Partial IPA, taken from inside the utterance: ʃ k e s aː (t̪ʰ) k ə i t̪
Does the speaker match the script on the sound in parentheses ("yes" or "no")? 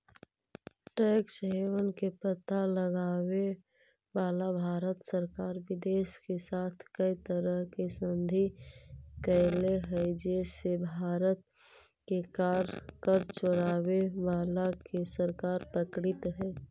yes